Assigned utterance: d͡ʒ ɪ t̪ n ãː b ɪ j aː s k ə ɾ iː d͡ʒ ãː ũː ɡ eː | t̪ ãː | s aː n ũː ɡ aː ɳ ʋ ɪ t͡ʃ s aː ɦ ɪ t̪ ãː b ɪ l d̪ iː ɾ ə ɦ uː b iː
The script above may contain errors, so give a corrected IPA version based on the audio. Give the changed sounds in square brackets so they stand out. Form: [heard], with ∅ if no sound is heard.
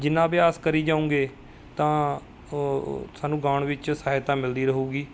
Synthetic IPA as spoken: d͡ʒ ɪ [∅] n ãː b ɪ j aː s k ə ɾ iː d͡ʒ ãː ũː ɡ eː | t̪ ãː | s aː n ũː ɡ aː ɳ ʋ ɪ t͡ʃ s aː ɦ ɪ t̪ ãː [m] ɪ l d̪ iː ɾ ə ɦ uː [ɡ] iː